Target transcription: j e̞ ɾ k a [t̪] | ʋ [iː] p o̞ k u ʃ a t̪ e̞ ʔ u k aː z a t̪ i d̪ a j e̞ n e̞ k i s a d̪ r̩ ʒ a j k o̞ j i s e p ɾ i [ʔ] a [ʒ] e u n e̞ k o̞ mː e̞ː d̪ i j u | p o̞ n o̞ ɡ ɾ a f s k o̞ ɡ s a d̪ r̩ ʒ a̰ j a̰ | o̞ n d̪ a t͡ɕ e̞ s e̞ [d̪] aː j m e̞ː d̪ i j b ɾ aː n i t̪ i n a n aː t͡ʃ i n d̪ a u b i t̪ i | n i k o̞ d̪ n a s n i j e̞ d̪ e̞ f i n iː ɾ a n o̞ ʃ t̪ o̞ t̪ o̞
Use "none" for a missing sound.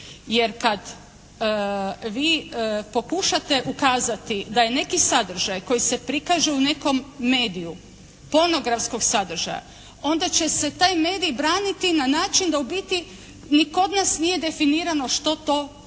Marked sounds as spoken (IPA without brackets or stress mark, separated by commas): d̪, iː, k, ʒ, t̪